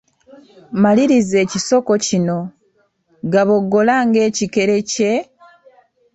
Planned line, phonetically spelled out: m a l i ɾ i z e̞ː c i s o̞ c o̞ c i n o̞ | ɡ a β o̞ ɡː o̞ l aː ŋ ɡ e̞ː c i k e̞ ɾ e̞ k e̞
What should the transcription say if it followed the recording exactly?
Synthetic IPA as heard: m a l i ɾ i z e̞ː c i s o̞ k o̞ c i n o̞ | ɡ a β o̞ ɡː o̞ l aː ŋ ɡ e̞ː c i k e̞ ɾ e̞ c e̞